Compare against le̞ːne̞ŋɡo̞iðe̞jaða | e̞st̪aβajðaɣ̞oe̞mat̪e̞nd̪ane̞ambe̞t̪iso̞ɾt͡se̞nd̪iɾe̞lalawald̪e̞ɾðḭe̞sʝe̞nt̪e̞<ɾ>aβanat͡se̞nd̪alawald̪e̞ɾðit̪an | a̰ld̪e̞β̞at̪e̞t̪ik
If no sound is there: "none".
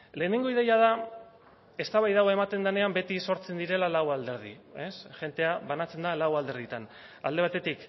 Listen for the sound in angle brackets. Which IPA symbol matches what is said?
none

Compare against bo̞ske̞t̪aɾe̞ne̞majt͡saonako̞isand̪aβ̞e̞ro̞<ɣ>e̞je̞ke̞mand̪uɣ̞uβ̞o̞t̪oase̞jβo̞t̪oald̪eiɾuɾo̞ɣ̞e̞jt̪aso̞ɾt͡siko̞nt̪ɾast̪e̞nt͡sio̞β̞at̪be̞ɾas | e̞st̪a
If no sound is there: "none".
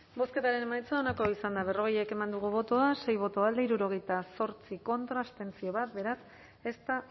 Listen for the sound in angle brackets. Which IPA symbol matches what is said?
ɣ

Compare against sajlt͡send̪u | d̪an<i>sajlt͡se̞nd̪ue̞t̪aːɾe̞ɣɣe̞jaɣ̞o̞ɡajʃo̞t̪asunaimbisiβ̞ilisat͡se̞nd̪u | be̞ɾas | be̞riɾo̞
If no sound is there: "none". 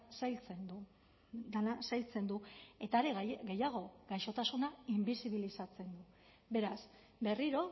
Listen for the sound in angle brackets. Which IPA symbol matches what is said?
a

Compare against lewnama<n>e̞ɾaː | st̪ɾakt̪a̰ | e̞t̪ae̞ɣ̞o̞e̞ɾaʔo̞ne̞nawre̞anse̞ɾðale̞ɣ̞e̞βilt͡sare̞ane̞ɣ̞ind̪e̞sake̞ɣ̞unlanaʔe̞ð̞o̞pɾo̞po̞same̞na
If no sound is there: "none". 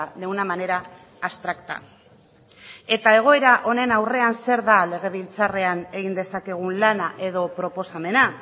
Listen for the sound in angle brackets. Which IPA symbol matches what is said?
n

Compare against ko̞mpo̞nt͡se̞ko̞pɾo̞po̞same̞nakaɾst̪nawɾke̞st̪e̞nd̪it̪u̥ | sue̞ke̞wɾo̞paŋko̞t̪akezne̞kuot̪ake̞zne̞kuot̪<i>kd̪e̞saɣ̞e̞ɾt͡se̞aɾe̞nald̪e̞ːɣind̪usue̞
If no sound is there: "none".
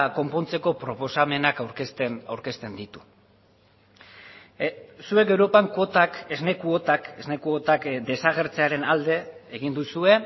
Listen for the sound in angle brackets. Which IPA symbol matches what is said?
a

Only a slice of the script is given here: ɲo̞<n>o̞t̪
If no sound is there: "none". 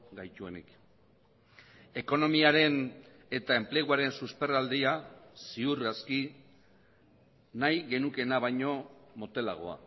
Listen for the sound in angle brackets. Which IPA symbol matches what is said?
m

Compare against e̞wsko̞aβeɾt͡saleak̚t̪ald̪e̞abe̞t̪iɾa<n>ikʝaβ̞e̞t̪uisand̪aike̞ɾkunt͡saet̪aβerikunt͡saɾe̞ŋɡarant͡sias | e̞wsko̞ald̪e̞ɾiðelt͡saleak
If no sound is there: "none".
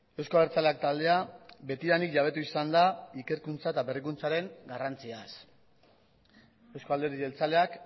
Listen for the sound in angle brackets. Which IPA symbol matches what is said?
n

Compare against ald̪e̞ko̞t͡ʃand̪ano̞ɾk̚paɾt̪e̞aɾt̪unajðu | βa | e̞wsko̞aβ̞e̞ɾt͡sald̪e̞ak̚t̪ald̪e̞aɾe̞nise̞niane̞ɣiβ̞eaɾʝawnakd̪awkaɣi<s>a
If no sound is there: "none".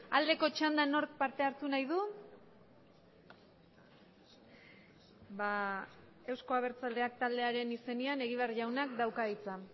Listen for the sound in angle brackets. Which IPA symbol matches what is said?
t͡s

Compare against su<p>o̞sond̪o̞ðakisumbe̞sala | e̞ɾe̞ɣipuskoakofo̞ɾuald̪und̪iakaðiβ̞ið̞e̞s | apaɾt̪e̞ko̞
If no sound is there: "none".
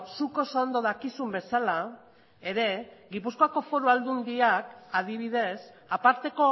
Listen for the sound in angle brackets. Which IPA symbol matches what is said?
k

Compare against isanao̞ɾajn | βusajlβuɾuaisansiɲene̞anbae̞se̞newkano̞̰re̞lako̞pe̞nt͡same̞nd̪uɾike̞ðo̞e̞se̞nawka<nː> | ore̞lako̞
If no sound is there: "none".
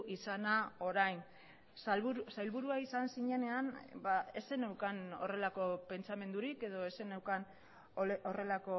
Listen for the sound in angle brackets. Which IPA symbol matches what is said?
n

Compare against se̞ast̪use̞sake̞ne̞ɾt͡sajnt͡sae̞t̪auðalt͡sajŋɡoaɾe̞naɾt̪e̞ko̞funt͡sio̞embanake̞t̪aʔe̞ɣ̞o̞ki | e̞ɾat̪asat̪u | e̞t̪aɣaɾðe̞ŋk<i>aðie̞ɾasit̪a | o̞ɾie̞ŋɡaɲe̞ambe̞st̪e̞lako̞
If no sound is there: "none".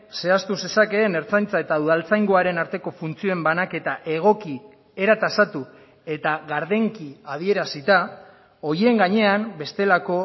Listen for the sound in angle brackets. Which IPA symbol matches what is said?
i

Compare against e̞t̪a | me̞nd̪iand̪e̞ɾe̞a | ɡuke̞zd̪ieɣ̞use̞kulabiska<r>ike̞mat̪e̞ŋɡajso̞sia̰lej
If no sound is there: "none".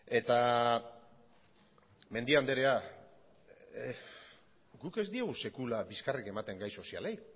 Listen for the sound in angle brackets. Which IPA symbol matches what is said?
r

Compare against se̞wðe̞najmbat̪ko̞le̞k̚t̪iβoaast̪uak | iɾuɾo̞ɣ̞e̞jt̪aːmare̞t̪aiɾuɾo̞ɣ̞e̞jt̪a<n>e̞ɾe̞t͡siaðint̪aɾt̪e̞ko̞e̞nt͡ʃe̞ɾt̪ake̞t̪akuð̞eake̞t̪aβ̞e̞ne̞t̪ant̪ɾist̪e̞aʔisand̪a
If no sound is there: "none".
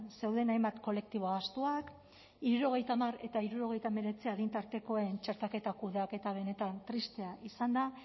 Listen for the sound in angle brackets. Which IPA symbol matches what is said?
m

